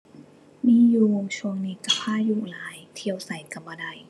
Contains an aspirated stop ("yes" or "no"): yes